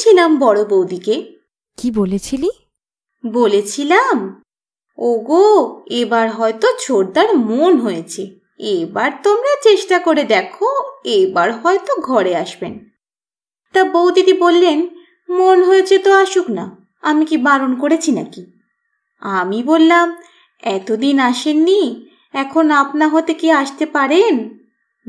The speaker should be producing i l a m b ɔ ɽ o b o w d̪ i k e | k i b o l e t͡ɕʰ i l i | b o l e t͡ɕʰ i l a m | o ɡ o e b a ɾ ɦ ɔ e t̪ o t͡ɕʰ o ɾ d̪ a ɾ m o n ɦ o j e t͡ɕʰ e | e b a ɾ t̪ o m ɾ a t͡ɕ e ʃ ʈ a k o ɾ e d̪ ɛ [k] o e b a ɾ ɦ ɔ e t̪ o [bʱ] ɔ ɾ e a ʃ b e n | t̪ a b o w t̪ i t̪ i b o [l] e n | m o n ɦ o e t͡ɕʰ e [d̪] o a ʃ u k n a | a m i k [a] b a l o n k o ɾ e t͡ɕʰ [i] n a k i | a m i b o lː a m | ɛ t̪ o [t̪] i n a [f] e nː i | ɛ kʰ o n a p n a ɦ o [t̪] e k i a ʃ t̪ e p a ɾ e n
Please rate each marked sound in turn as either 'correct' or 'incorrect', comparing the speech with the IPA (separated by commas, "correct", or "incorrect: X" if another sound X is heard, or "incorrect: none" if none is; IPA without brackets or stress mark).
incorrect: kʰ, incorrect: ɡʱ, incorrect: lː, incorrect: t̪, incorrect: i, correct, incorrect: d̪, incorrect: ʃ, correct